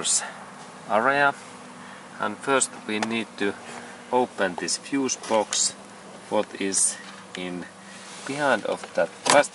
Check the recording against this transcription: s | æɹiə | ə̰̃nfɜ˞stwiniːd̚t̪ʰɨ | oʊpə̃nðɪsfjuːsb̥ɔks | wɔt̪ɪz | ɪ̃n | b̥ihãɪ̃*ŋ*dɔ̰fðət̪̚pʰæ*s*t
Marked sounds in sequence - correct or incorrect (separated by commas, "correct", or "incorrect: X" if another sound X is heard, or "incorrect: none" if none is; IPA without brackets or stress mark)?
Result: incorrect: n, correct